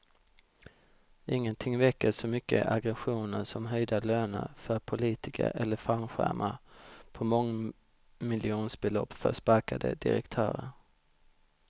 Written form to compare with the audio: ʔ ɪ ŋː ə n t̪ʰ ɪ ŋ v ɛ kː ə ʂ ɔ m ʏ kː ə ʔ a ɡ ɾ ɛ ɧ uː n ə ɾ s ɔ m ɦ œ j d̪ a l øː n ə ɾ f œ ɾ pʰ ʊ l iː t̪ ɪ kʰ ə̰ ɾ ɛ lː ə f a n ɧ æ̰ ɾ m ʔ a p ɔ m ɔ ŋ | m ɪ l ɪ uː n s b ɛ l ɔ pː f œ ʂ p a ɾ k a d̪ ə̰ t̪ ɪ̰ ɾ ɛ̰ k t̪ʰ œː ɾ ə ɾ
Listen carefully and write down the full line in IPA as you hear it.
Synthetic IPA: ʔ ɪ ŋː ə n t̪ʰ ɪ ŋ v ɛ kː ə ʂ ɔ m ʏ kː ə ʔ a ɡ ɾ ɛ ɧ uː n ə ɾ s ɔ m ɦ œ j d̪ a l øː n ə ɾ f œ ɾ pʰ ʊ l iː t̪ ɪ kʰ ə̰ ɾ ɛ lː ə f a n ɧ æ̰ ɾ m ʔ a pʰ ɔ m ɔ ŋ | m ɪ l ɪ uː n s b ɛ l ɔ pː f œ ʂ p a ɾ k a d̪ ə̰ d̪ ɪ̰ ɾ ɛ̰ k t̪ʰ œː ɾ ə ɾ